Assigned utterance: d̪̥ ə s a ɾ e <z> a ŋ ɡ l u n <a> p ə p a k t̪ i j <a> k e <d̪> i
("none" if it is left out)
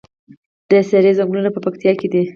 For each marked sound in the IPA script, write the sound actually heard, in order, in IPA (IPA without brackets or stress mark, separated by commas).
z, a, ɑ, d̪